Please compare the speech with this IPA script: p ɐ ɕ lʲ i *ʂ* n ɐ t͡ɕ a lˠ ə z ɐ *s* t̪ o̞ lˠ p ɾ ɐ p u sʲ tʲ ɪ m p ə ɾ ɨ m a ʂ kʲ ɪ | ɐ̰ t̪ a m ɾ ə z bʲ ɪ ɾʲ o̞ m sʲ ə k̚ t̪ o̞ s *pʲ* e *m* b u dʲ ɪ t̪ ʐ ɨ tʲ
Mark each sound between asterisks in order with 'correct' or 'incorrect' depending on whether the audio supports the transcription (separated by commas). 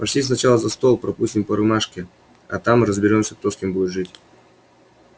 incorrect, correct, incorrect, correct